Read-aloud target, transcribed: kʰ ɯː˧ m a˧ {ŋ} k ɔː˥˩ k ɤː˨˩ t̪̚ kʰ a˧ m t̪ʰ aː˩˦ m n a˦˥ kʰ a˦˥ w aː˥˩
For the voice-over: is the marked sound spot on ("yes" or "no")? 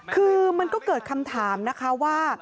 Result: no